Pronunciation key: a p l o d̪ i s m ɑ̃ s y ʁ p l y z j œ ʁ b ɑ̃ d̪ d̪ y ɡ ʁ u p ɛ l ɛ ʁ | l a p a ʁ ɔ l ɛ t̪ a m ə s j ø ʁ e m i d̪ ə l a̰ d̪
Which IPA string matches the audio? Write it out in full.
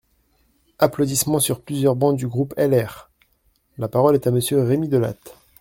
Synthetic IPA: a p l o d̪ i s m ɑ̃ s y ʁ p l y z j œ ʁ b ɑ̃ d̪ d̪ y ɡ ʁ u p ɛ l ɛ ʁ | l a p a ʁ ɔ l ɛ t̪ a m ə s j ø ʁ e m i d̪ ə l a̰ t̪